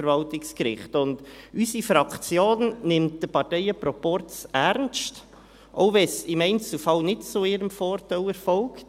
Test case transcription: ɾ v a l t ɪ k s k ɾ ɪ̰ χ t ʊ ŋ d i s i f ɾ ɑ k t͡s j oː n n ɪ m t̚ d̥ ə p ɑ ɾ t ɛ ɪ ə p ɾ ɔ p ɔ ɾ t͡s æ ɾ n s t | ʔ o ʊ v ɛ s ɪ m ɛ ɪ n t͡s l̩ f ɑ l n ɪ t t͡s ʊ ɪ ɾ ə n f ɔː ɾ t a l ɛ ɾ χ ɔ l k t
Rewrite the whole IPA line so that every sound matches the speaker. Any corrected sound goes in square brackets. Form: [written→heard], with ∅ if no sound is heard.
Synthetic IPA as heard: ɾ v [a→ɑ] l t ɪ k s k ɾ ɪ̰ χ t ʊ [ŋ→n] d [i→y] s i f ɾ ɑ k t͡s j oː n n ɪ m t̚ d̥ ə p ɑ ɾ t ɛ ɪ ə p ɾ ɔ p ɔ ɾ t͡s æ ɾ n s t | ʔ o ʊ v ɛ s ɪ m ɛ ɪ n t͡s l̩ f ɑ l n ɪ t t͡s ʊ ɪ ɾ ə [n→m] f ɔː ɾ t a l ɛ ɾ [χ→f] ɔ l k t